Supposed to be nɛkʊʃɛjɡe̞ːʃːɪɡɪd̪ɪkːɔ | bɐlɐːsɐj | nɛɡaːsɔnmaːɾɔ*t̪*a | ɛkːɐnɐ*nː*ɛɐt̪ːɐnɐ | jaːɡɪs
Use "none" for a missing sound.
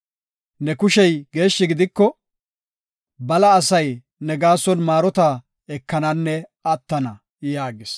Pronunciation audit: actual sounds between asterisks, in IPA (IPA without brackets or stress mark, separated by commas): t̪, nː